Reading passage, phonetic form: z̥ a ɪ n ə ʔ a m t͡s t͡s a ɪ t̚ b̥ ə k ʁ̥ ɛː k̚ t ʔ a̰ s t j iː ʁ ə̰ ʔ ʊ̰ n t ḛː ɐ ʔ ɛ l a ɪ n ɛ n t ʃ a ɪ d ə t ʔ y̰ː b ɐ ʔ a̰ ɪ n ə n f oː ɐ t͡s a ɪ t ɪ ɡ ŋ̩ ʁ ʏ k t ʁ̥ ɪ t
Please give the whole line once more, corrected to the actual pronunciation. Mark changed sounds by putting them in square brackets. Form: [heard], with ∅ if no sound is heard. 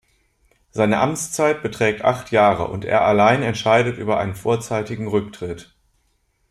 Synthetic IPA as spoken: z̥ a ɪ n ə ʔ a m t͡s t͡s a ɪ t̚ b̥ ə [t] ʁ̥ ɛː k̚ t ʔ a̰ [χ] t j [aː] ʁ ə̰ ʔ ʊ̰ n t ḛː ɐ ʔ [a] l a ɪ n ɛ n t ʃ a ɪ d ə t ʔ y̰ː b ɐ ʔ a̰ ɪ n ə n f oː ɐ t͡s a ɪ t ɪ ɡ ŋ̩ ʁ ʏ k t ʁ̥ ɪ t

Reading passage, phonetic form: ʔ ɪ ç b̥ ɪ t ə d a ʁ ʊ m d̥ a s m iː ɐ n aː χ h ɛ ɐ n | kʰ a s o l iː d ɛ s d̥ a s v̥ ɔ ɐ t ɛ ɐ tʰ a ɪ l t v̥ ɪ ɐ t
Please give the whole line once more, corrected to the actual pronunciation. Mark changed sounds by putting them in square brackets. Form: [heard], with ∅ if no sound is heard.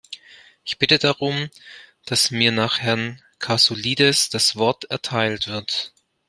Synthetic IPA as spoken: ʔ ɪ ç b̥ ɪ t ə d a ʁ ʊ m d̥ a s m iː ɐ n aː χ h ɛ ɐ n | kʰ a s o l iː d ɛ s d̥ a s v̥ ɔ ɐ t ɛ ɐ tʰ a ɪ l t v̥ ɪ ɐ t

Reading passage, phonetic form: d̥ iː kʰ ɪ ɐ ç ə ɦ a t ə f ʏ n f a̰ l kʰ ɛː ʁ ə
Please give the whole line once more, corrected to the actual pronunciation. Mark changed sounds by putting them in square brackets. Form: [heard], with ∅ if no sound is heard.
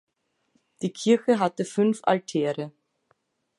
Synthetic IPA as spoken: d̥ iː kʰ ɪ ɐ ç ə ɦ a t ə f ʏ n f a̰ l [tʰ] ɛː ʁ ə

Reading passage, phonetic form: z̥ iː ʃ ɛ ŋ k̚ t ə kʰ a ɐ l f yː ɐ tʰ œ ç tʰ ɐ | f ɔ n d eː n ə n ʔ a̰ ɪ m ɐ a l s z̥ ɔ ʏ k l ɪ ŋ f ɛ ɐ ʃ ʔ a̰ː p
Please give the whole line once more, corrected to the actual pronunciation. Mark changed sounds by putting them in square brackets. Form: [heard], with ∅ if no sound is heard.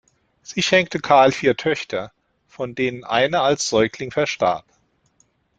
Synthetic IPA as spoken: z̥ iː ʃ ɛ ŋ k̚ t ə kʰ a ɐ l f [iː] ɐ tʰ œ ç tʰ ɐ | f ɔ n d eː n ə n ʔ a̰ ɪ [n] ɐ a l s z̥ ɔ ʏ k l ɪ ŋ f ɛ ɐ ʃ [t] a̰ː p

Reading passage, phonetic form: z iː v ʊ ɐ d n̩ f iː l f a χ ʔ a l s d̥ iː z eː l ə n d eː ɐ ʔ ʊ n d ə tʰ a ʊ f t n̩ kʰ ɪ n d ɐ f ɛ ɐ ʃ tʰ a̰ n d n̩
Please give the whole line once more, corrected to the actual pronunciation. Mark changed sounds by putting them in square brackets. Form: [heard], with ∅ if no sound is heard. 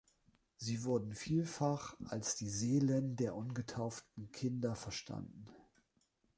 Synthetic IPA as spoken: z iː v ʊ ɐ d n̩ f iː l f a χ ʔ a l s d̥ iː z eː l ə n d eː ɐ ʔ ʊ n [ɡ] ə tʰ a ʊ f t n̩ kʰ ɪ n d ɐ f ɛ ɐ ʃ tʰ a̰ n d n̩

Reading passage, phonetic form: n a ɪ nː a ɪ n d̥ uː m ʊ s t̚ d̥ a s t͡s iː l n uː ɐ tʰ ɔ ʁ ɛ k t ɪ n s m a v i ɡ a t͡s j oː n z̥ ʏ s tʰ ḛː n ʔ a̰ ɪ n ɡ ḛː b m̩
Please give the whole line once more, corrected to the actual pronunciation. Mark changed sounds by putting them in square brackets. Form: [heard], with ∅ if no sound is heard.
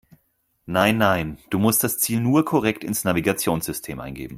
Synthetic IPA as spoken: n a ɪ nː a ɪ n d̥ uː m ʊ s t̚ d̥ a s t͡s iː l n uː ɐ [kʰ] ɔ ʁ ɛ k t ɪ n s [n] a v i ɡ a t͡s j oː n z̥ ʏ s tʰ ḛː [m] ʔ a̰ ɪ n ɡ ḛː b m̩

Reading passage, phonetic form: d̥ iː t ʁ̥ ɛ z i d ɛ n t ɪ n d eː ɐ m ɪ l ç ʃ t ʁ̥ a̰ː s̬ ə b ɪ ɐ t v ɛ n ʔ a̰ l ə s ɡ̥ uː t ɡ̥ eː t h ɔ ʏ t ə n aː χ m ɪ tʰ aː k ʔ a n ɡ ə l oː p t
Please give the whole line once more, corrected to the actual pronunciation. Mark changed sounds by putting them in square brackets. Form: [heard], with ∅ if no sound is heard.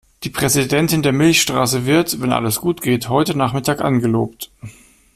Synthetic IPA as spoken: d̥ iː [p] ʁ̥ ɛ z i d ɛ n t ɪ n d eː ɐ m ɪ l ç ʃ t ʁ̥ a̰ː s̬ ə [v] ɪ ɐ t v ɛ n ʔ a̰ l ə s ɡ̥ uː t ɡ̥ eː t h ɔ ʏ t ə n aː χ m ɪ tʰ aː k ʔ a n ɡ ə l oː p t

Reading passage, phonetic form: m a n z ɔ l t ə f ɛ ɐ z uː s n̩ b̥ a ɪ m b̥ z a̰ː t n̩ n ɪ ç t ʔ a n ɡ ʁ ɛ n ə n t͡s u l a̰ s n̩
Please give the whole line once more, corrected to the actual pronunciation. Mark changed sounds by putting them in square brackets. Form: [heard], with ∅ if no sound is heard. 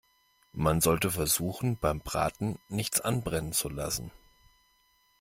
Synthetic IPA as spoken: m a n z ɔ l t ə f ɛ ɐ z uː [x] n̩ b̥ a ɪ m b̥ [ʁ] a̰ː t n̩ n ɪ ç [t͡s] ʔ a n [b] ʁ ɛ n ə n t͡s u l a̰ s n̩

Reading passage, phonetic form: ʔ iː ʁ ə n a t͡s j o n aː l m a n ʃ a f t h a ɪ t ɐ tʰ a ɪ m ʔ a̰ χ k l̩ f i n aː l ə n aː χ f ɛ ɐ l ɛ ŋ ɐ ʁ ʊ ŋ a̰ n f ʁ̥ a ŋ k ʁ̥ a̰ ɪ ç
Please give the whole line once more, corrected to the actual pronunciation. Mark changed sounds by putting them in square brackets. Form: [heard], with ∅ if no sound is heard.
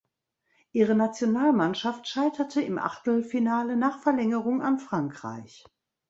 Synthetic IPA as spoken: ʔ iː ʁ ə n a t͡s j o n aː l m a n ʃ a f t [ʃ] a ɪ t ɐ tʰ [ə] ɪ m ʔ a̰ χ [t] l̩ f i n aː l ə n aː χ f ɛ ɐ l ɛ ŋ [ə] ʁ ʊ ŋ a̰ n f ʁ̥ a ŋ k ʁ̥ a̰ ɪ ç

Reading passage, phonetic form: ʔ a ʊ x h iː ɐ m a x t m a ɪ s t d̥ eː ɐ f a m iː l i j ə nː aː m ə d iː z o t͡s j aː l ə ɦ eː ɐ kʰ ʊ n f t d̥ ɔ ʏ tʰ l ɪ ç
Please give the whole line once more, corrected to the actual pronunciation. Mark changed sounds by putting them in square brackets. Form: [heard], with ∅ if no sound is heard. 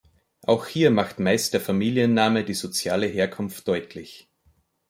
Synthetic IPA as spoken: ʔ a ʊ x h iː ɐ m a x t m a ɪ s t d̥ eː ɐ f a m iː l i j ə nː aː m ə d iː z o t͡s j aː l ə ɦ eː ɐ kʰ ʊ n f t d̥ ɔ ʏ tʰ l ɪ ç

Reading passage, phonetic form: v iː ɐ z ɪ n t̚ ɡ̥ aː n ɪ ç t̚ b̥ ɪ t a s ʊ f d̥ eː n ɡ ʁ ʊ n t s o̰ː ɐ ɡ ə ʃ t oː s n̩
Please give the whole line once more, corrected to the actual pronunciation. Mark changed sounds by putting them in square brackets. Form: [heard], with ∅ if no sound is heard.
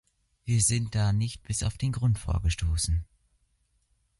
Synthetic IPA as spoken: v iː ɐ z ɪ n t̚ [d̥] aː n ɪ ç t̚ b̥ ɪ [s] a [∅] ʊ f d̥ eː n ɡ ʁ ʊ n t [f] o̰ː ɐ ɡ ə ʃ t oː s n̩

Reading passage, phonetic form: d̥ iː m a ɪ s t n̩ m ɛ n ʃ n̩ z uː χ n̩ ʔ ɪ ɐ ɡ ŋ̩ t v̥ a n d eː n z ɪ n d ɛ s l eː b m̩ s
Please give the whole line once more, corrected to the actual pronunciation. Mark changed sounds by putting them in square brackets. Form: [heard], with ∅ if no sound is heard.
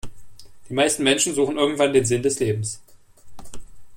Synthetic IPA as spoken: d̥ iː m a ɪ s t n̩ m ɛ n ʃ n̩ z uː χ n̩ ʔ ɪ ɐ ɡ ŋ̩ t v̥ a n d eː n z ɪ n d ɛ s l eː b m̩ s

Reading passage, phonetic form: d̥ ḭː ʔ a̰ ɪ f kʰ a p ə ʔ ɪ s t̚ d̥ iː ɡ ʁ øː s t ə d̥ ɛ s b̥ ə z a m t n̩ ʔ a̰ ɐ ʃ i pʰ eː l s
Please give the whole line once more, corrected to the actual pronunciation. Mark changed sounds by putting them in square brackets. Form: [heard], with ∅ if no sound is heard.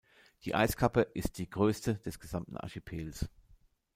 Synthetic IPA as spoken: d̥ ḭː ʔ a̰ ɪ [s] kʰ a p ə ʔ ɪ s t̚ d̥ iː ɡ ʁ øː s t ə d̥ ɛ s [ɡ̥] ə z a m t n̩ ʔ a̰ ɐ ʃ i pʰ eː l s

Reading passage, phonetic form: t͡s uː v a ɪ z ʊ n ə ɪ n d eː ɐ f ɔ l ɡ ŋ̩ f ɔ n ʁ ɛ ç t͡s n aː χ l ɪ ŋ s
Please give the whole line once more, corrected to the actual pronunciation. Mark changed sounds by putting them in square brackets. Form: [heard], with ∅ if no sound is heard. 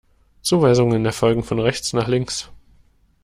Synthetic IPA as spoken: t͡s uː v a ɪ z ʊ [ŋ] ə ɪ n d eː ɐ f ɔ l ɡ ŋ̩ f ɔ n ʁ ɛ ç t͡s n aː χ l ɪ ŋ s

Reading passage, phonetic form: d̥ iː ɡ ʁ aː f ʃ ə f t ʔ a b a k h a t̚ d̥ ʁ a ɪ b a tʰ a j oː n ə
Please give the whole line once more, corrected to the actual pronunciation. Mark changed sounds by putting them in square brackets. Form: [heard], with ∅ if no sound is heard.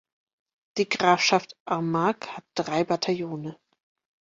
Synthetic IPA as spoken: d̥ iː ɡ ʁ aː f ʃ [a] f t ʔ a [m] a k h a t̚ d̥ ʁ a ɪ b a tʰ a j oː n ə

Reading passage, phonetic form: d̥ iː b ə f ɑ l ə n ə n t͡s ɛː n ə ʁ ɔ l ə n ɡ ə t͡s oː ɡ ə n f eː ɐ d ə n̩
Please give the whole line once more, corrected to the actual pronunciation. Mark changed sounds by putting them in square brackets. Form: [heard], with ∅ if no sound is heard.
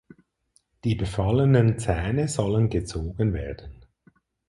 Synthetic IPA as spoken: d̥ iː b ə f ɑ l ə n ə n t͡s ɛː n ə [z] ɔ l ə n ɡ ə t͡s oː ɡ ə n [v] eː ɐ d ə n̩

